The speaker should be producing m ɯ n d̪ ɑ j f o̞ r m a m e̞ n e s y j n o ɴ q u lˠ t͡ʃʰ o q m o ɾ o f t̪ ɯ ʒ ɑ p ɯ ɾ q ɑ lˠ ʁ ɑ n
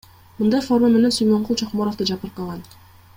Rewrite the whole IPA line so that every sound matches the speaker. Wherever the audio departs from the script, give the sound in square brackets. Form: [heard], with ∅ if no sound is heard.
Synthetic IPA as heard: m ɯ n d̪ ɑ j f o̞ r m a m e̞ n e s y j [m] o ɴ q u lˠ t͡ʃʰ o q m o ɾ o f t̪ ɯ [d͡ʒ] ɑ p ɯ ɾ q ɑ lˠ ʁ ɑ n